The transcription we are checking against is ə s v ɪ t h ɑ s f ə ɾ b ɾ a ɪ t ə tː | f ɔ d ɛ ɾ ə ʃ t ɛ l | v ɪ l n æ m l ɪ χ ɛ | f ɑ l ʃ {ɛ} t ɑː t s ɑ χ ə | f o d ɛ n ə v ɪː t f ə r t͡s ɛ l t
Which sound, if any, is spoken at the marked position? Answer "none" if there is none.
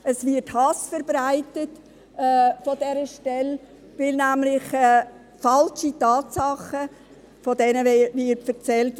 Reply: i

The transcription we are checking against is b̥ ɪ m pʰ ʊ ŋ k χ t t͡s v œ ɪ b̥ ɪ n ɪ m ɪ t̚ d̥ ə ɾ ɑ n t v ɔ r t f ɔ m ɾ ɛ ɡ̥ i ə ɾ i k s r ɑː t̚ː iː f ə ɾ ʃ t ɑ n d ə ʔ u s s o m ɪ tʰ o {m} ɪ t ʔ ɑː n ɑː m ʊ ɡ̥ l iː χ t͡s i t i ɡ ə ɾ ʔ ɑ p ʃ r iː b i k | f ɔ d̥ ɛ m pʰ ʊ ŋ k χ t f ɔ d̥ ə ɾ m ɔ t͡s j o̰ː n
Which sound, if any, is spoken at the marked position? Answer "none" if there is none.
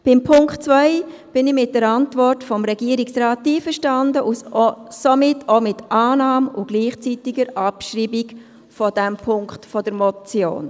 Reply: m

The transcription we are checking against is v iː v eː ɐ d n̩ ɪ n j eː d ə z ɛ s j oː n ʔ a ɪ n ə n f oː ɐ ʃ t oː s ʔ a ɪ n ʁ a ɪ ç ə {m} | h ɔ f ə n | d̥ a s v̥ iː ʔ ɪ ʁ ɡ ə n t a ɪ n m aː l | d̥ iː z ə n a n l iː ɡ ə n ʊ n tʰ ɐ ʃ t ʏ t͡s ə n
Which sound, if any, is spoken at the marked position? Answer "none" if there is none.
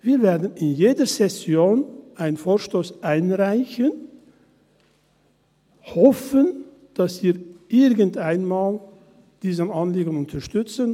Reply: n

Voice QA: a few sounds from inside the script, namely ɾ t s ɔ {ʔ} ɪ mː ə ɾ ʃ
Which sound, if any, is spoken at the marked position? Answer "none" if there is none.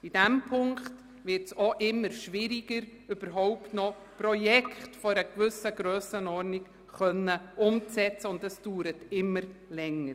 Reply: ʔ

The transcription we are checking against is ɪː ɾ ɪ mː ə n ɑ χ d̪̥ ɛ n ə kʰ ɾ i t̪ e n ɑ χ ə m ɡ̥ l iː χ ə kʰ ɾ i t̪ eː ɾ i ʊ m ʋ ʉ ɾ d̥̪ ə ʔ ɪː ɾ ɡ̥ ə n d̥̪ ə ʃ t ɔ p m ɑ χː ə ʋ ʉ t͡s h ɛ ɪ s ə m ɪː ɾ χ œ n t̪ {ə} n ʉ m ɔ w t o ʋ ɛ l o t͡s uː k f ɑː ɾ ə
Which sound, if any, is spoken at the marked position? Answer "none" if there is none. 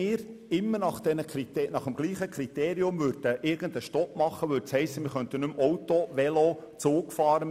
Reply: ə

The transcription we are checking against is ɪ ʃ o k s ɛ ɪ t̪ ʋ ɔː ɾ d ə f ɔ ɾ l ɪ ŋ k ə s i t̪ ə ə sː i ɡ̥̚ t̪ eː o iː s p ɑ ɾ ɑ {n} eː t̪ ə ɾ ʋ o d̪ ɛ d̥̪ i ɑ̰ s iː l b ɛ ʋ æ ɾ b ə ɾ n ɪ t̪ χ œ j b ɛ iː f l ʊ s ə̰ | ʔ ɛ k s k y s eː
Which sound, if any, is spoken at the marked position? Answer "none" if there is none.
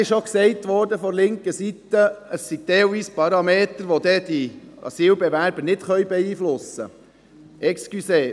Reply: m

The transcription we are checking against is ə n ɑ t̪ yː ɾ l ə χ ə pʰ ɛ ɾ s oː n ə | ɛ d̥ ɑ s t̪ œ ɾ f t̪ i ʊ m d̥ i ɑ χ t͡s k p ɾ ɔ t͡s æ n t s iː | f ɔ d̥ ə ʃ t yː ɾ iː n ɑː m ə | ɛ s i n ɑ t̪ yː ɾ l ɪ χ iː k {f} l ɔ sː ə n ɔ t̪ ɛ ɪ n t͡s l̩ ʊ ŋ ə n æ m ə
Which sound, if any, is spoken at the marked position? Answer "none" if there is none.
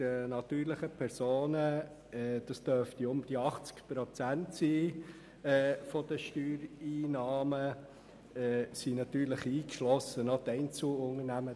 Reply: ʃ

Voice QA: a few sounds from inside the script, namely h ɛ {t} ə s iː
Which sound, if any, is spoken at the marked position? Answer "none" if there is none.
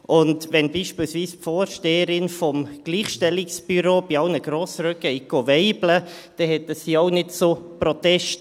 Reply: t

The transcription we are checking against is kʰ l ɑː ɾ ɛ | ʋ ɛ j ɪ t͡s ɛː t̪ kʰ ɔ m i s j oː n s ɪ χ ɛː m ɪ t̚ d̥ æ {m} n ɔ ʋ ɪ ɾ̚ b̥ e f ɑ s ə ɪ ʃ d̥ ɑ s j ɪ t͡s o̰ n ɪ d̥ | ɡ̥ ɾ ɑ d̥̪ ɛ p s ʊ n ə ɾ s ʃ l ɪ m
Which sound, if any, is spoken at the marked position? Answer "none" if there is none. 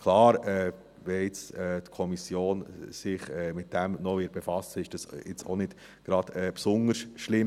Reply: m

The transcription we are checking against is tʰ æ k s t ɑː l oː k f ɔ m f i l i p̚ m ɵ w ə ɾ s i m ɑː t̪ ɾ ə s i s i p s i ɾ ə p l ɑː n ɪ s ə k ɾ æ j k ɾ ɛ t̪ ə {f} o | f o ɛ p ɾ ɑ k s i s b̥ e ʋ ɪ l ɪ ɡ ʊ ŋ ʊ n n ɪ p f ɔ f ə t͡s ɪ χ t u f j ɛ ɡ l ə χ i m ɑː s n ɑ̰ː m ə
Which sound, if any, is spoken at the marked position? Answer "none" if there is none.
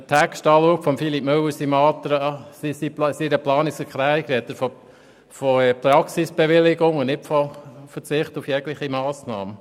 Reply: f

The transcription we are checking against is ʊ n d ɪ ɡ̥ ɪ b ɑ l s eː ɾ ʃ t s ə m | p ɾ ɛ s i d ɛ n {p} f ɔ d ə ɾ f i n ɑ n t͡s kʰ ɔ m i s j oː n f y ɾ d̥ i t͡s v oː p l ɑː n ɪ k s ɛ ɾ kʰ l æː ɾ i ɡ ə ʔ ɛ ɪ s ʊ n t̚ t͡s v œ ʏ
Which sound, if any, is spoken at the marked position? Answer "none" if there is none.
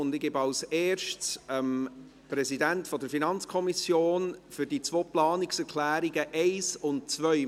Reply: t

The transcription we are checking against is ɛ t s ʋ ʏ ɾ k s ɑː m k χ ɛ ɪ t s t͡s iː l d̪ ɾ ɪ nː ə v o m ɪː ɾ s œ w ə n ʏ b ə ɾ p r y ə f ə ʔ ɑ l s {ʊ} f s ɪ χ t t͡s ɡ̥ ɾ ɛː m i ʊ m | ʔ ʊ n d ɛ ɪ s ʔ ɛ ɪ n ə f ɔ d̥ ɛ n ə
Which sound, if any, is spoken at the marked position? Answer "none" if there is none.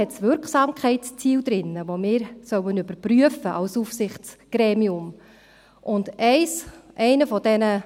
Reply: u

